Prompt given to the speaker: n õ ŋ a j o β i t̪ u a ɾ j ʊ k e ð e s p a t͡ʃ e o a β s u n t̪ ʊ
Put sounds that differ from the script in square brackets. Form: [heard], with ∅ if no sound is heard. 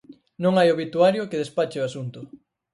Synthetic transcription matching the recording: n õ ŋ a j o β i t̪ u a ɾ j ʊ k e ð e s p a t͡ʃ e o a [∅] s u n t̪ ʊ